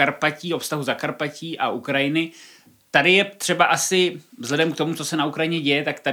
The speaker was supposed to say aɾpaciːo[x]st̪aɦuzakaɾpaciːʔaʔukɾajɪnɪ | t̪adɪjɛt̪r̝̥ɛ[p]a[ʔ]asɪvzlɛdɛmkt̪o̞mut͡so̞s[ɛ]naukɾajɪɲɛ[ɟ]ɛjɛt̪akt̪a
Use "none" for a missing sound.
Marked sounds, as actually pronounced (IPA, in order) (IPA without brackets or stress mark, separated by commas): f, b, ʔ, ɛ, ɟ